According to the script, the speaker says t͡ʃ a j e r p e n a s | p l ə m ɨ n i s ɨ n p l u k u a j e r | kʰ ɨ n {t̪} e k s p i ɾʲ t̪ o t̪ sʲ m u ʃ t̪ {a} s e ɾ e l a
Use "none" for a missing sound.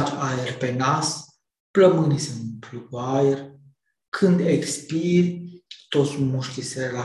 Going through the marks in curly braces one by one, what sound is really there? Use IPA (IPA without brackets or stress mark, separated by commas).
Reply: d̪, i